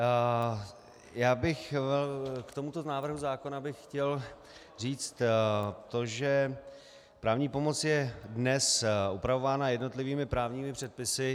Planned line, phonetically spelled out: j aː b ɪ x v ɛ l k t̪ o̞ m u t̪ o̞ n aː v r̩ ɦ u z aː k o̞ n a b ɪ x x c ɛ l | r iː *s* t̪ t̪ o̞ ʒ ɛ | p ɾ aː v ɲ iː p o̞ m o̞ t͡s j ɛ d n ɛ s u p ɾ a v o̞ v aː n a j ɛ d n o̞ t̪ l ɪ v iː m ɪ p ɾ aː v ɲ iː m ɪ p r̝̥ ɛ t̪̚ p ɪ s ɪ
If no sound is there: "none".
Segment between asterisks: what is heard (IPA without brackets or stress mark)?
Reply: t͡s